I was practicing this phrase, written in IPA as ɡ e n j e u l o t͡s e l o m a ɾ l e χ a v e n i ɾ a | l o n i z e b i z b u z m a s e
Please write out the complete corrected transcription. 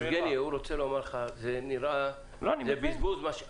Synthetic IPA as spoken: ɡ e n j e u ɾ o t͡s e l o m a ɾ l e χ a z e n i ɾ a | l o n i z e b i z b u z m a ʃ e